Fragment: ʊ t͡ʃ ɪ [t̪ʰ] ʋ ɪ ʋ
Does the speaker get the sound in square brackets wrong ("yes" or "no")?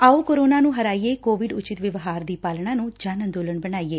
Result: yes